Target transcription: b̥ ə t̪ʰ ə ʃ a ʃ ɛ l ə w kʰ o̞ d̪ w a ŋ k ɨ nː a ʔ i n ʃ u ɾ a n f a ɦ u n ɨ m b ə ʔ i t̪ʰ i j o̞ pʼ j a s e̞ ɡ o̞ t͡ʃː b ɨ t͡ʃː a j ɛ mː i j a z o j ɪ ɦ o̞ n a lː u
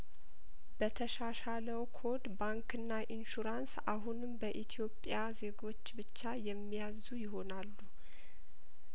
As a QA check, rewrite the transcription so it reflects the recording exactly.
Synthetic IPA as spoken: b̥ ə t̪ʰ ə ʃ a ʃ a l ə w kʰ o̞ d̪ b a ŋ k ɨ nː a ʔ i n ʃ u ɾ a n s a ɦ u n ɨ m b ə ʔ i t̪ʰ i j o̞ pʼ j a z e̞ ɡ o̞ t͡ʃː b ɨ t͡ʃː a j ɛ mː i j a z u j ɪ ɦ o̞ n a lː u